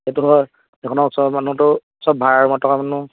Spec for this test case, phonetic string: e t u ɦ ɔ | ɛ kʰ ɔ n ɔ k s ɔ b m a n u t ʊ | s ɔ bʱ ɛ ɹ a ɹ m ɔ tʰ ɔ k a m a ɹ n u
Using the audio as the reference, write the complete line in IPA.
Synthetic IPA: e t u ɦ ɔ | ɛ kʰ ɔ n ɔ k s ɔ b m a n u t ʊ | s ɔ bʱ a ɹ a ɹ m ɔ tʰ ɔ k a m a n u